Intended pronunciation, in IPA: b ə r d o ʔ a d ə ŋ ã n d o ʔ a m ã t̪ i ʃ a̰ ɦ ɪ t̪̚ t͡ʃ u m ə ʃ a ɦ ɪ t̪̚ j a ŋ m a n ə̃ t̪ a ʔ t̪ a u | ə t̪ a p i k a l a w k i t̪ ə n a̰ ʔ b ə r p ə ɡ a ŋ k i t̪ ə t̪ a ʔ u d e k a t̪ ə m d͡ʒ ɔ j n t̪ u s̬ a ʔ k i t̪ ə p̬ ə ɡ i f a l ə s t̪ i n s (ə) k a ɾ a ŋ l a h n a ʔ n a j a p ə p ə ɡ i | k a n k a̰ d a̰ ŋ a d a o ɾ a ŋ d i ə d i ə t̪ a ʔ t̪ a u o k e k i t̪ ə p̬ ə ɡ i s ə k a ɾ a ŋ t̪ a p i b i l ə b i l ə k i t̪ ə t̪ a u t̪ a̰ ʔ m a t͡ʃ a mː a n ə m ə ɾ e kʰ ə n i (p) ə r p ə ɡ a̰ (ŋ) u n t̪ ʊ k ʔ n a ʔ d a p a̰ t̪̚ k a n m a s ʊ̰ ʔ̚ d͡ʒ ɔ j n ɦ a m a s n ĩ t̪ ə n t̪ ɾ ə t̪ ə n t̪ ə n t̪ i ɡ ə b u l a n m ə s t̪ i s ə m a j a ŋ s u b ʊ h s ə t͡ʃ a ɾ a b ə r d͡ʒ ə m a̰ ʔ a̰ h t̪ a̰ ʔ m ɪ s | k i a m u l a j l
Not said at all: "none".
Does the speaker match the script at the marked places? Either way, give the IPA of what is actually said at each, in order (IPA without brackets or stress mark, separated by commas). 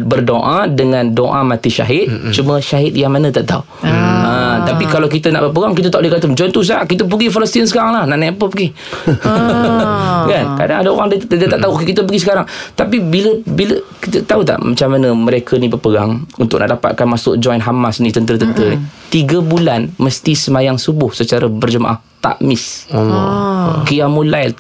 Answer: ə, b, ŋ